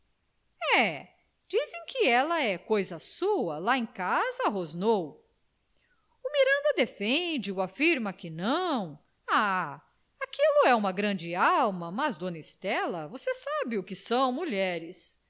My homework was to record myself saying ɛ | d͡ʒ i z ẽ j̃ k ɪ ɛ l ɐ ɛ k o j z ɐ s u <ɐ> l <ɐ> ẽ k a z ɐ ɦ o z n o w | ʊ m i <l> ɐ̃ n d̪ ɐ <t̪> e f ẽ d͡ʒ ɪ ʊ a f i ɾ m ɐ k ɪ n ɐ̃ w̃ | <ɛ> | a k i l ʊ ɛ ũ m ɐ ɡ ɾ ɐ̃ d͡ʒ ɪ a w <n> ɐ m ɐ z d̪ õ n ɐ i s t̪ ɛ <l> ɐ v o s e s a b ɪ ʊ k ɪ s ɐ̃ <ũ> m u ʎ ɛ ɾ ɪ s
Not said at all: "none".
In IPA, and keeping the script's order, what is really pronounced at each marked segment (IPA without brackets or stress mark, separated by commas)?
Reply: ɐ, a, ɾ, d̪, a, m, l, w̃